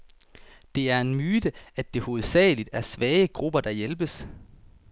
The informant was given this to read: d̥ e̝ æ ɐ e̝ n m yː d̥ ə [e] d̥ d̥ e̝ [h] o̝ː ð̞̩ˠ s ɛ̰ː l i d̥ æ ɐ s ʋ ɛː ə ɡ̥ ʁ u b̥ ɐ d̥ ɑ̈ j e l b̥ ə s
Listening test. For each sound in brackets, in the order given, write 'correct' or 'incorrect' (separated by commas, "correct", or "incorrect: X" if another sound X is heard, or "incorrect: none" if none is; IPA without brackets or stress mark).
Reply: incorrect: æ, correct